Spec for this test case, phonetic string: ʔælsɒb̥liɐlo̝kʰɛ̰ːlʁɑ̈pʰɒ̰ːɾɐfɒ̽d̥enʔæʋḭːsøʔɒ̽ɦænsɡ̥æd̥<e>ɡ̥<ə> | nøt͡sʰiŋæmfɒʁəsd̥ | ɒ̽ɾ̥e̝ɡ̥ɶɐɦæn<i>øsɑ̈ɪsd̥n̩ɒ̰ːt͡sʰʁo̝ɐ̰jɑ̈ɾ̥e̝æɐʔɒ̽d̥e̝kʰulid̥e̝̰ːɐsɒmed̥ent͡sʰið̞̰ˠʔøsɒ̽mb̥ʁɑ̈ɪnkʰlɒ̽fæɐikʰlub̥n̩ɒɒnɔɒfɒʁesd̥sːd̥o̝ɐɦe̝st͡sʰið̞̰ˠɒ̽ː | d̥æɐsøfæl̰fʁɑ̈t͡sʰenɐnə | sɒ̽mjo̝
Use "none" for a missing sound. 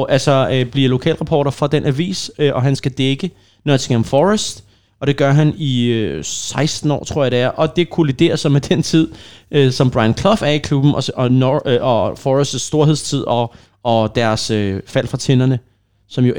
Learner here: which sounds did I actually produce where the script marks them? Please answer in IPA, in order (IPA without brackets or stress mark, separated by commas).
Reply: e, ə, i